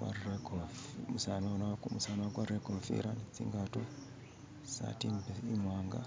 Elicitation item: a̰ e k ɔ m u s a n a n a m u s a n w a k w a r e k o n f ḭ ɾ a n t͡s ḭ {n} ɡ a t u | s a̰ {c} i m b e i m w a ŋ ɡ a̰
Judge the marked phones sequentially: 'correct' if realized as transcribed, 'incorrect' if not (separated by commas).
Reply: incorrect, incorrect